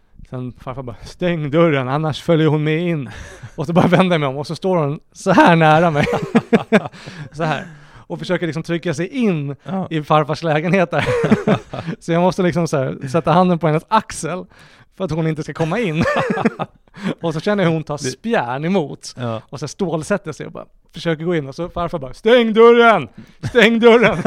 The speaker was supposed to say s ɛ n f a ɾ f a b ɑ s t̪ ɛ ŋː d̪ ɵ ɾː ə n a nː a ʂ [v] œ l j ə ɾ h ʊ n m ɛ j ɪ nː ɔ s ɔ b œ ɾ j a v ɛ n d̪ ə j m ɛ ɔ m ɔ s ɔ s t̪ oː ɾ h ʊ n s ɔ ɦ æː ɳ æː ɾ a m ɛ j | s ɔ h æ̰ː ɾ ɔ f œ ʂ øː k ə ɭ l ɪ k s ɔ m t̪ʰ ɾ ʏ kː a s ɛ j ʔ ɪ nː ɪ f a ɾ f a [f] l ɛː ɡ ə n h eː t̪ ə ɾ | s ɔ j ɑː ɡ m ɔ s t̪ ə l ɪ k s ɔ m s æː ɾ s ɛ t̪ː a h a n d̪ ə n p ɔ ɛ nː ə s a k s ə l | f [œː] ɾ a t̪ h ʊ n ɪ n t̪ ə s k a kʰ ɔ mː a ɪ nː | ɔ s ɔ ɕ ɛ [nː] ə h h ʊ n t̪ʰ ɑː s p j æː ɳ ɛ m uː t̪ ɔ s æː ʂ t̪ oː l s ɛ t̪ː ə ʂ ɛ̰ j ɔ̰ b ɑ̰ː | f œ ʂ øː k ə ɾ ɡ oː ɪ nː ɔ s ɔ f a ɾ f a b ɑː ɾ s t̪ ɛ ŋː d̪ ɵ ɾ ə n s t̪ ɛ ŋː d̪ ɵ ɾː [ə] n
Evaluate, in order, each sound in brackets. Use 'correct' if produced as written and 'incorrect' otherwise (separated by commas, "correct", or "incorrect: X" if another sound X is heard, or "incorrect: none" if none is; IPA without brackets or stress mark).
incorrect: f, incorrect: ʂ, incorrect: œ, correct, correct